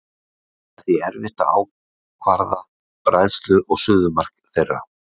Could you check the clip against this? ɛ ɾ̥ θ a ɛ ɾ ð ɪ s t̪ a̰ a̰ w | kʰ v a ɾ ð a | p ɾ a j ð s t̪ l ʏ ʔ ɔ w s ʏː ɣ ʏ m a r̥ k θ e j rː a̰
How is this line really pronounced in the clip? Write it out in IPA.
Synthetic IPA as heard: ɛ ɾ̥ θ i ɛ ɾ v ɪ h t̪ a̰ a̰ w | kʰ v a ɾ ð a | p ɾ a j ð s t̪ l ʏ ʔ ɔ ɣ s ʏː ð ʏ m a r̥ k θ e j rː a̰